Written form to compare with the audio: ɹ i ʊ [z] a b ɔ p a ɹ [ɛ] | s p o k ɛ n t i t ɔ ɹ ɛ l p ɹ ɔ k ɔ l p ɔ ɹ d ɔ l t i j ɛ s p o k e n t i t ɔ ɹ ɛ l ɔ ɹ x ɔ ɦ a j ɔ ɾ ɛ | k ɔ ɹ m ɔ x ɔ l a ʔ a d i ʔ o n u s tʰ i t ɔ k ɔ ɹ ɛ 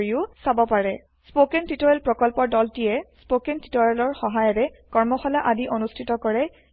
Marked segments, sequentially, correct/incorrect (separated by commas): incorrect, correct